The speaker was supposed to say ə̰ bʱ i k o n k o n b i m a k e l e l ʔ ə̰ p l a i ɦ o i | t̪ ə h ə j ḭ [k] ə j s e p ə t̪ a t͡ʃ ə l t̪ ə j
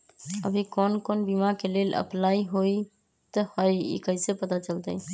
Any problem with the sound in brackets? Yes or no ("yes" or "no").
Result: no